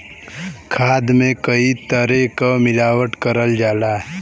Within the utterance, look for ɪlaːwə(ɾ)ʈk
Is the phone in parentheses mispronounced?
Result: yes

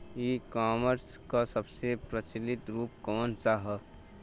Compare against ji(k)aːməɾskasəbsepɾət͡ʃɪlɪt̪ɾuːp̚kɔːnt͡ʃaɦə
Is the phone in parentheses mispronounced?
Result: no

